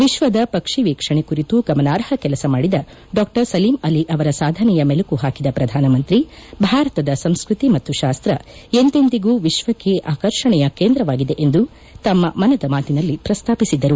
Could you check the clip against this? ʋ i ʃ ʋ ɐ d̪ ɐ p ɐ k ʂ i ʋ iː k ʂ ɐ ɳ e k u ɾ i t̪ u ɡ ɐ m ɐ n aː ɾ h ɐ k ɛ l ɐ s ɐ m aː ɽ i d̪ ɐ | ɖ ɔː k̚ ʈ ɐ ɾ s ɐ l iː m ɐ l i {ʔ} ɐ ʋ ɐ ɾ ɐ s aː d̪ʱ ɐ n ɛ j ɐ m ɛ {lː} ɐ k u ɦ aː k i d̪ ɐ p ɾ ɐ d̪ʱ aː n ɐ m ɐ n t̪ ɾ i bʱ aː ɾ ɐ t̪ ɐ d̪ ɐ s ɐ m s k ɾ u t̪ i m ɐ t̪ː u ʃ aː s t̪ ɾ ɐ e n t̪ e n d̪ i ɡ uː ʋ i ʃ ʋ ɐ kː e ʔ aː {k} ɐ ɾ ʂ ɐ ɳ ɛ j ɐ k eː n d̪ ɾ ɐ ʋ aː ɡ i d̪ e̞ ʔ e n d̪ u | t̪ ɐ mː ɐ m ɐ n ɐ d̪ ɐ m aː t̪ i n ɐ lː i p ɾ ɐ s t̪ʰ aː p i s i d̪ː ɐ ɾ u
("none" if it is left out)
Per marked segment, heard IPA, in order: ʔ, l, k

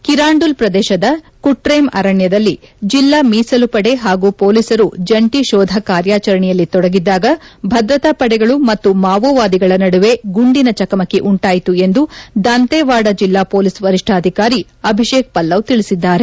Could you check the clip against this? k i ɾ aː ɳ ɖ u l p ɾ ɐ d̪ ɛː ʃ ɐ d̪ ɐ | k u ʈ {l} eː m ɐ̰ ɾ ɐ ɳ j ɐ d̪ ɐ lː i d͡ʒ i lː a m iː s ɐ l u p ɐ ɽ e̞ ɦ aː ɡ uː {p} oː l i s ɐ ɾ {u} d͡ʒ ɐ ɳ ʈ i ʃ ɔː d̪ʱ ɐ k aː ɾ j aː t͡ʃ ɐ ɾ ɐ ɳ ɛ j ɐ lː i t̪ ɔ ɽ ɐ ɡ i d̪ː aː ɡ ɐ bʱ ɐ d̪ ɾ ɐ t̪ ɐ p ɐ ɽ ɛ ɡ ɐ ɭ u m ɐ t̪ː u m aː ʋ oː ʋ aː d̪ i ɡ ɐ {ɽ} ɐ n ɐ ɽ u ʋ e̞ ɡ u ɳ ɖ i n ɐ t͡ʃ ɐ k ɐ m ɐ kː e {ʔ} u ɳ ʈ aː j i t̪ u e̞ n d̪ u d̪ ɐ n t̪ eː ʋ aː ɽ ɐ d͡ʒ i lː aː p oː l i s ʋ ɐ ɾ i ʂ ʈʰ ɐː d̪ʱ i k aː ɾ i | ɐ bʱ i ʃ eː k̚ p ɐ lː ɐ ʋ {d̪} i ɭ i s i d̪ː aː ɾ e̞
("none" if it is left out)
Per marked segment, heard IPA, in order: ɾ, p, u, ɭ, ʔ, t̪

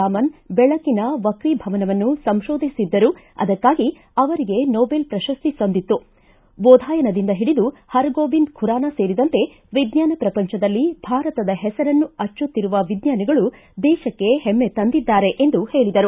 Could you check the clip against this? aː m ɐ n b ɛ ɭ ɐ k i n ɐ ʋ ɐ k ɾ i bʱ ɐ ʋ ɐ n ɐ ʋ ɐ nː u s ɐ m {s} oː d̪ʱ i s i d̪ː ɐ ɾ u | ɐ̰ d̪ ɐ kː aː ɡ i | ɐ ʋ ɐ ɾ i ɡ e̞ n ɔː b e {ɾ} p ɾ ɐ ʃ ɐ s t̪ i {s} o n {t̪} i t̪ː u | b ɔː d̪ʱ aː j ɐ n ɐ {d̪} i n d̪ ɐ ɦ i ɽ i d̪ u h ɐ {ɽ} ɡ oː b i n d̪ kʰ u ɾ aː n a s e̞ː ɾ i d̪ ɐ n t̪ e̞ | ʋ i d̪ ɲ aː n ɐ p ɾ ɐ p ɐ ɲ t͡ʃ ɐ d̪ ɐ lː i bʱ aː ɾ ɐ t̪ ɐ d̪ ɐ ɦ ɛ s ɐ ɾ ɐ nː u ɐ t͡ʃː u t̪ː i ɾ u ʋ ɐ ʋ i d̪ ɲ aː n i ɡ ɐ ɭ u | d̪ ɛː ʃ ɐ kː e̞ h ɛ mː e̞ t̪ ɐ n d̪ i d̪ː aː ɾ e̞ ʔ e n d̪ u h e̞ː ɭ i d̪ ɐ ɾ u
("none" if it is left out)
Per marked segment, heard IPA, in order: ʃ, l, s, d̪, d̪, ɾ

